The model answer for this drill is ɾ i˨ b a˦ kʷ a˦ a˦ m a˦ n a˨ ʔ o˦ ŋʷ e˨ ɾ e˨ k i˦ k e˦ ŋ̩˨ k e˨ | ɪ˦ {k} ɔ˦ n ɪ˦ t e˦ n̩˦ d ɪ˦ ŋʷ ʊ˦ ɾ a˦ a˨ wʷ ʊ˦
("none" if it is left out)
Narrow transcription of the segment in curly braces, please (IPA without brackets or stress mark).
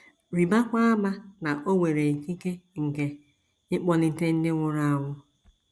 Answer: k͡p